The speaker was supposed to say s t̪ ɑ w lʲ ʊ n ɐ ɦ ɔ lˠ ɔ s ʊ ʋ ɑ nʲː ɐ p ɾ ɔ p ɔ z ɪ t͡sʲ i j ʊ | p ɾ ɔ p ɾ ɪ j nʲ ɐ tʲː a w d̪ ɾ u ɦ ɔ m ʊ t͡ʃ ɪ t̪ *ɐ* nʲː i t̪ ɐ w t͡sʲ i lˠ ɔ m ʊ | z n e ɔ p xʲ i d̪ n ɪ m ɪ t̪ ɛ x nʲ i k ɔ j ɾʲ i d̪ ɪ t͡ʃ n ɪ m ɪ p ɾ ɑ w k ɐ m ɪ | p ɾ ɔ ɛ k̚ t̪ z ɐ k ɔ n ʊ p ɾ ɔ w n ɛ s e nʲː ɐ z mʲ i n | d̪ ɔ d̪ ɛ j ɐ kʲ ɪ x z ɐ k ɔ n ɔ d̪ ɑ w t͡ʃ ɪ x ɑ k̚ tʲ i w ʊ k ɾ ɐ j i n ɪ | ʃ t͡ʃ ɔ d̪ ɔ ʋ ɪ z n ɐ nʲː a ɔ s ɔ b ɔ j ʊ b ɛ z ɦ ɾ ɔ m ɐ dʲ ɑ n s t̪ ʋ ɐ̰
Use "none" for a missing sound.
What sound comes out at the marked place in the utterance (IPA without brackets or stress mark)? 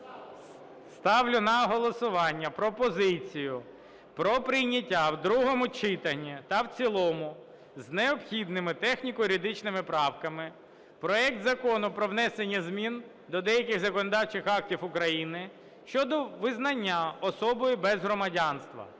ɐ